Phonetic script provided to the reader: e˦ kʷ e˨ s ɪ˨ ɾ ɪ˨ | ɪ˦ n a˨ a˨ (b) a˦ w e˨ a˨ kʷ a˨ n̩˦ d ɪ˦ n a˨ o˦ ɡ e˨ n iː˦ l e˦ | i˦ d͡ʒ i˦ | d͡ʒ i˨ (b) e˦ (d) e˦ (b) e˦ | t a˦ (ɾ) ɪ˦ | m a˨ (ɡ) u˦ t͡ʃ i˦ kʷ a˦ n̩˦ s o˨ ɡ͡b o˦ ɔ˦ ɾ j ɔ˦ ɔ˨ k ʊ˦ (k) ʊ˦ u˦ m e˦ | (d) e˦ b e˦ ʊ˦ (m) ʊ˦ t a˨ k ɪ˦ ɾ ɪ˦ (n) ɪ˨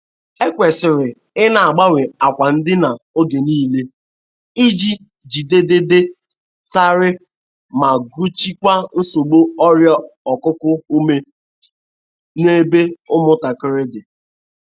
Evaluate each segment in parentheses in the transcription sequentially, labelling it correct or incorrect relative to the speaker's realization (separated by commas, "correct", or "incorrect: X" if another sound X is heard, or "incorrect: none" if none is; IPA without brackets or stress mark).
incorrect: ɡ͡b, incorrect: d, correct, incorrect: d, correct, correct, correct, incorrect: n, correct, incorrect: d